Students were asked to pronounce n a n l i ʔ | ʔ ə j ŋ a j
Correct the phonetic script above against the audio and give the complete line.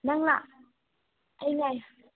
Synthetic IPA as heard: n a ŋ l a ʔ | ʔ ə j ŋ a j